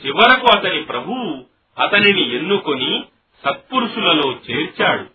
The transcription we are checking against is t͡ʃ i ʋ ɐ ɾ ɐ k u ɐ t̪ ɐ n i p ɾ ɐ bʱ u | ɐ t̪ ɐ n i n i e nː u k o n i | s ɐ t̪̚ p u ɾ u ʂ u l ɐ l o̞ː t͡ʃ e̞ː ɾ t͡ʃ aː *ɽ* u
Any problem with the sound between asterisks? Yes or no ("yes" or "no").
no